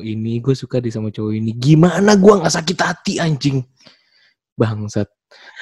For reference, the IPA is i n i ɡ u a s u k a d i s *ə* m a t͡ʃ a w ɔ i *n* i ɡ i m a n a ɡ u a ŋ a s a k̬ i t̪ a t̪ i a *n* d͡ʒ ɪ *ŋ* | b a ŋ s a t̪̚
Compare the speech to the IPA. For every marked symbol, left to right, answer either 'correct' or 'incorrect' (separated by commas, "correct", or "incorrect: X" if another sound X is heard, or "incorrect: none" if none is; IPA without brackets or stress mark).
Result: incorrect: a, correct, incorrect: ɲ, correct